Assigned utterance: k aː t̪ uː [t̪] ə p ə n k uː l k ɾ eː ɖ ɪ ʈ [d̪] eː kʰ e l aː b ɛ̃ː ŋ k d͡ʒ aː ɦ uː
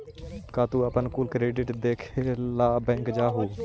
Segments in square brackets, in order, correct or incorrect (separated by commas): incorrect, correct